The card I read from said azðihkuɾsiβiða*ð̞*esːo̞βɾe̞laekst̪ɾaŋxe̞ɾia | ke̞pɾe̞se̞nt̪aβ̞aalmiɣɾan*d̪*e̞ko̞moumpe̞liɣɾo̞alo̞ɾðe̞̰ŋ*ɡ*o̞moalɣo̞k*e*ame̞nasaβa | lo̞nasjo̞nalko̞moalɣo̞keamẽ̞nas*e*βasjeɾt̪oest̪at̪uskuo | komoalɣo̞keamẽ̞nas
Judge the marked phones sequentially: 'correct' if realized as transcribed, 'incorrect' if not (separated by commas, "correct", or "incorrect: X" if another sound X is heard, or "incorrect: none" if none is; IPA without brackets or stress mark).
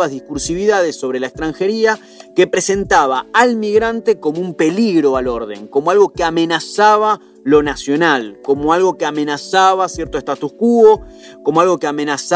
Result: correct, incorrect: t̪, incorrect: k, correct, incorrect: a